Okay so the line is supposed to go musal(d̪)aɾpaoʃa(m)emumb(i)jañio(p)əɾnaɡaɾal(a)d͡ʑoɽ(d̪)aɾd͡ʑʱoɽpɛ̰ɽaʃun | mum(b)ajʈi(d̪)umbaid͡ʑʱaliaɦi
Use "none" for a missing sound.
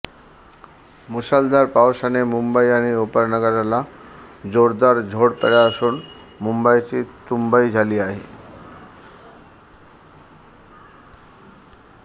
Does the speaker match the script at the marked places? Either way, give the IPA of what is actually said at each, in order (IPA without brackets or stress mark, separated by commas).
d̪, n, a, p, a, d̪, b, t̪